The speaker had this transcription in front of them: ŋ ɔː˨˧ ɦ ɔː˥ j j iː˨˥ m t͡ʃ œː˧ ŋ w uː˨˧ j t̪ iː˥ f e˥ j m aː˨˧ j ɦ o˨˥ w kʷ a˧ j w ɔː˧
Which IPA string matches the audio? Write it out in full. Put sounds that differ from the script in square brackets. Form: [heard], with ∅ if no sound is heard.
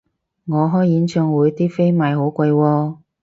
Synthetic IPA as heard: ŋ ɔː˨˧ ɦ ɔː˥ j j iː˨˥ [n] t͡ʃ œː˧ ŋ w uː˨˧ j t̪ iː˥ f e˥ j m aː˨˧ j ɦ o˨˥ w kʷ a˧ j w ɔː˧